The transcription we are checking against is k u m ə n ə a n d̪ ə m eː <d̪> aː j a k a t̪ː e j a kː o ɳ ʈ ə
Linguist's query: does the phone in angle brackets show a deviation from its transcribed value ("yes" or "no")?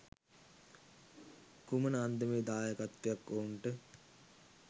no